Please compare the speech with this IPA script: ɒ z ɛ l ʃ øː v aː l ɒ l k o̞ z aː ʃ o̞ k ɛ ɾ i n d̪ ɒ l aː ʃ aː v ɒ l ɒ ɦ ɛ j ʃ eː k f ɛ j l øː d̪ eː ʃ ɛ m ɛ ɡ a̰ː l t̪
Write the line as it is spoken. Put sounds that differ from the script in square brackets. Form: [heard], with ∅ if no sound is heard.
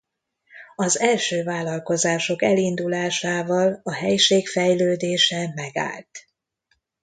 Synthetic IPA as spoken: ɒ z ɛ l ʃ øː v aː l ɒ l k o̞ z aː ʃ o̞ k ɛ [l] i n d̪ [u] l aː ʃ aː v ɒ l ɒ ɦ ɛ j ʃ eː k f ɛ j l øː d̪ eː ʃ ɛ m ɛ ɡ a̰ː l t̪